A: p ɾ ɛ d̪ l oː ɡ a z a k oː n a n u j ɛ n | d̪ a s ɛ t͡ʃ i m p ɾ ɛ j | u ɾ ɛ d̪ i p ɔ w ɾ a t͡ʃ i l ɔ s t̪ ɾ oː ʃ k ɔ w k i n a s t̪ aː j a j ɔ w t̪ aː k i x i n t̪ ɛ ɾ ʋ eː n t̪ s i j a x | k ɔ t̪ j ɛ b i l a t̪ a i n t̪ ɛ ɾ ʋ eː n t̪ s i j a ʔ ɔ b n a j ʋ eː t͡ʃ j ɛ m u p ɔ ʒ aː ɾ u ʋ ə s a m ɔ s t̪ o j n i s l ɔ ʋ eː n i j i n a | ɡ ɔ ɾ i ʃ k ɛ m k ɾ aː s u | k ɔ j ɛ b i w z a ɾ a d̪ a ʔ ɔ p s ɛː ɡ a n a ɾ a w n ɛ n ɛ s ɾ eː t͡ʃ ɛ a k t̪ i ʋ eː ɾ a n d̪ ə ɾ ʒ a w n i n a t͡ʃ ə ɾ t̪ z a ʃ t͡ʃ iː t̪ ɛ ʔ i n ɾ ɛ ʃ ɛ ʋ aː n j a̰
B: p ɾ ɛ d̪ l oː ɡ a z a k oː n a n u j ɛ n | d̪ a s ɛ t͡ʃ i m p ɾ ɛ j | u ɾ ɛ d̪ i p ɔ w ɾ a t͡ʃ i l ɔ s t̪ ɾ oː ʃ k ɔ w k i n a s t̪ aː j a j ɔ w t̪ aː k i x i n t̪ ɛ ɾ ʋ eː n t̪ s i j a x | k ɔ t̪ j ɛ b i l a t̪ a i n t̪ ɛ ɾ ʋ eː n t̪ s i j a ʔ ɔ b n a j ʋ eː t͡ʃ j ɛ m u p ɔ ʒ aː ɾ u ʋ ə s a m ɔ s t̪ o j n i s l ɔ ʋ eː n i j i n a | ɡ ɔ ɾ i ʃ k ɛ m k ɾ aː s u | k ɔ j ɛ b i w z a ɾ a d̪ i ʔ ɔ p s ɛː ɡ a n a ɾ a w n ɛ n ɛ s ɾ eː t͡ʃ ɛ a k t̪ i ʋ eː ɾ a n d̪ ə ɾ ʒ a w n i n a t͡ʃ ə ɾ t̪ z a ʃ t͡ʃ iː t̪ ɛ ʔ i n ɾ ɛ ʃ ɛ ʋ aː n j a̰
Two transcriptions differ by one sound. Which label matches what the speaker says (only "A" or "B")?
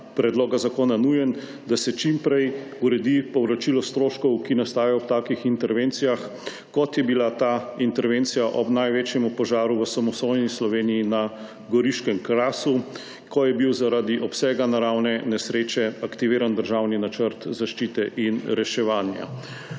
B